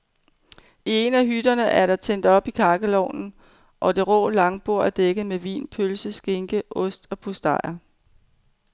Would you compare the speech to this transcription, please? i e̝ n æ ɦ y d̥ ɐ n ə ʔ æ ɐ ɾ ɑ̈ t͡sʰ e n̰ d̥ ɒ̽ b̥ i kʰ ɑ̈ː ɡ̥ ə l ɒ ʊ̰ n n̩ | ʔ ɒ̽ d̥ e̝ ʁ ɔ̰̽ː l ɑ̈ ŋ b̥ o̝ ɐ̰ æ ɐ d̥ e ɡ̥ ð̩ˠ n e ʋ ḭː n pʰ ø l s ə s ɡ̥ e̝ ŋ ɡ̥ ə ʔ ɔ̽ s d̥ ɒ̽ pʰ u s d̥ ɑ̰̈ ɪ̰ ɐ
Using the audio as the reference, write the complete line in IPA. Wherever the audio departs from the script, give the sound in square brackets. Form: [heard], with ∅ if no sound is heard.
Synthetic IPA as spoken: i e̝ n æ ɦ y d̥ ɐ n ə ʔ æ ɐ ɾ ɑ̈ t͡sʰ e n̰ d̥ ɒ̽ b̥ i kʰ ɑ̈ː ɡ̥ ə l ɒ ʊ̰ n n̩ | ʔ ɒ̽ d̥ e̝ ʁ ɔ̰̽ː l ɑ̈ ŋ b̥ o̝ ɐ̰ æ ɐ d̥ e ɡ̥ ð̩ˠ [m] e ʋ ḭː n pʰ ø l s ə s ɡ̥ e̝ ŋ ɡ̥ ə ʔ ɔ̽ s d̥ ɒ̽ pʰ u s d̥ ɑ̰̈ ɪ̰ ɐ